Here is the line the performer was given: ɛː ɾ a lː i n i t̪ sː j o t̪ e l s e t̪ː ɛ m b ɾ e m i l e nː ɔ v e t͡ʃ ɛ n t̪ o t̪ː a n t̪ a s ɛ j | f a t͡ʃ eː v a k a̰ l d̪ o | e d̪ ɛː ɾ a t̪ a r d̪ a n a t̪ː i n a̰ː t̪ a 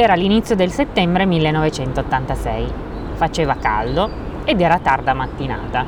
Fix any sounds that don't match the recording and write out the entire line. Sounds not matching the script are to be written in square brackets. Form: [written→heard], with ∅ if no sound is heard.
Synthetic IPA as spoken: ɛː ɾ a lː i n i t̪ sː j o [t̪→d̪] e l s e t̪ː ɛ m b ɾ e m i [l→lː] e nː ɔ v e t͡ʃ ɛ n t̪ o t̪ː a n t̪ a s ɛ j | f a t͡ʃ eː v a k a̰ l d̪ o | e d̪ ɛː ɾ a t̪ a r d̪ a [n→m] a t̪ː i n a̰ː t̪ a